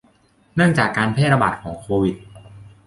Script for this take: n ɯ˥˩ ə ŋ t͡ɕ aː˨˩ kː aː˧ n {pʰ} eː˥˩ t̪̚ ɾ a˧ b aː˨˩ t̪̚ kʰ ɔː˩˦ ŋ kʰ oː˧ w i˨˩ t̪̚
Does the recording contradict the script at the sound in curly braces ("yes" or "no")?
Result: no